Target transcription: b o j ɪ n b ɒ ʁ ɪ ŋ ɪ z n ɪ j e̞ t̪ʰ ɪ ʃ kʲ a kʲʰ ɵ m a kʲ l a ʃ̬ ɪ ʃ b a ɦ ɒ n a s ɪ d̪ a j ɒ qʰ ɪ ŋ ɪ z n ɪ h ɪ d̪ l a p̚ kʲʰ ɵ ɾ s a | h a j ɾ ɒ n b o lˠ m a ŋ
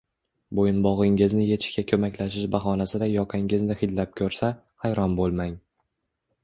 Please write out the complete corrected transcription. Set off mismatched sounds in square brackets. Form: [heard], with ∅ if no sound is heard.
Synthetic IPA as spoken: b o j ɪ n b ɒ ʁ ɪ ŋ ɪ z n ɪ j e̞ t̪ʰ ɪ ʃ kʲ a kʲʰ ɵ m a kʲ l a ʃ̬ ɪ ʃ b a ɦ ɒ n a s ɪ d̪ a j ɒ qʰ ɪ ŋ ɪ z n ɪ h ɪ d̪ l a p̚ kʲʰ ɵ ɾ s a | h a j ɾ ɒ n b o lˠ m a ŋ